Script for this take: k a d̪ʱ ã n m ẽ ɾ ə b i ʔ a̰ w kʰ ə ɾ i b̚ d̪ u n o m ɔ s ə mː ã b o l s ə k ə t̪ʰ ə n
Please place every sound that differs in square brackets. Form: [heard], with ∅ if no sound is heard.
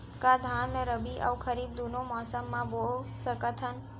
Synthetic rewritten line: k a d̪ʱ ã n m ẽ ɾ ə b i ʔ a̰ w kʰ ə ɾ i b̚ d̪ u n o m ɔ s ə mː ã b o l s ə k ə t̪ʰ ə n